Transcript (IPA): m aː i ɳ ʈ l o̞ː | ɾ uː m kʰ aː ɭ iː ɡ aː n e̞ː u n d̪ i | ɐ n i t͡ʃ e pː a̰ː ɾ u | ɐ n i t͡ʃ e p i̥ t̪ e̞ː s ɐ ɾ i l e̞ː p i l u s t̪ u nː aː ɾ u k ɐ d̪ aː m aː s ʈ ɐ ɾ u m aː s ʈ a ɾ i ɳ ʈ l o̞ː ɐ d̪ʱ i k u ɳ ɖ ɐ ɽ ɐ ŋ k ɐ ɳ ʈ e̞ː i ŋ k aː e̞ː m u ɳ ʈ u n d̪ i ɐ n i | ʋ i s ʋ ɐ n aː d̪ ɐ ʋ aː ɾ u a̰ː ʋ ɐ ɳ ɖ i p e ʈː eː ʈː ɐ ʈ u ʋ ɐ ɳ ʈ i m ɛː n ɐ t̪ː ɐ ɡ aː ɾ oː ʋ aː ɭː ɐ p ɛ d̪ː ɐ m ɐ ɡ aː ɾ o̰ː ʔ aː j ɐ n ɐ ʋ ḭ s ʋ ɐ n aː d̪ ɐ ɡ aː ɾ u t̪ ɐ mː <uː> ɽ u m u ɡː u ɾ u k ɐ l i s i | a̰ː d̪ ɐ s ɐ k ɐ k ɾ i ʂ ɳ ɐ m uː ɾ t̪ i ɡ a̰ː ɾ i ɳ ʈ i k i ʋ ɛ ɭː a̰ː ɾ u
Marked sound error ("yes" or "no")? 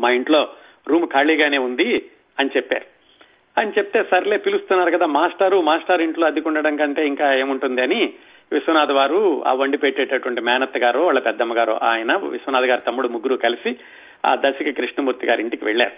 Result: yes